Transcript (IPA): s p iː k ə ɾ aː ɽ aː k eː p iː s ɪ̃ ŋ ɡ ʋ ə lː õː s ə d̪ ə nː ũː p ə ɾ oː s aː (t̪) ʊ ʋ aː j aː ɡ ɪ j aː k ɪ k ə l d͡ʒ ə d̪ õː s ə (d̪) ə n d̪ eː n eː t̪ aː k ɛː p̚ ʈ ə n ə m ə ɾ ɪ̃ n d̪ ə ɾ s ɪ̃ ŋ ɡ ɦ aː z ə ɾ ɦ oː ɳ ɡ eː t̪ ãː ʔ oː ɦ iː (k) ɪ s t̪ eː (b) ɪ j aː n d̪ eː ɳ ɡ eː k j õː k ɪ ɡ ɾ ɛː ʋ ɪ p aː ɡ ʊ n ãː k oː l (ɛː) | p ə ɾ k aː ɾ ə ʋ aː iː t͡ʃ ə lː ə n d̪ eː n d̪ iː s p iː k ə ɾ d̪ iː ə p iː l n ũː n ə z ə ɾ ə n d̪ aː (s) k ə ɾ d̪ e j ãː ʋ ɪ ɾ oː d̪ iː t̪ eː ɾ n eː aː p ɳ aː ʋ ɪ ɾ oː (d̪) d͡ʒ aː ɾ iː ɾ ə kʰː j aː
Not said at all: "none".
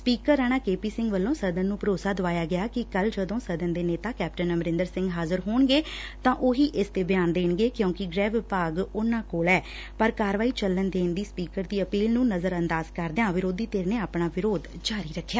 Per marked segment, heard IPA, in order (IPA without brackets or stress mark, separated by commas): d̪, d̪, ʔ, b, ɛː, z, d̪